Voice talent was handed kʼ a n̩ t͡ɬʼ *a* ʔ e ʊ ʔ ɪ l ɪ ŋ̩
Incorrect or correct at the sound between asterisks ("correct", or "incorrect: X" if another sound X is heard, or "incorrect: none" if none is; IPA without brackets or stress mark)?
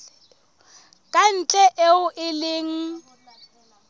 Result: incorrect: ɛ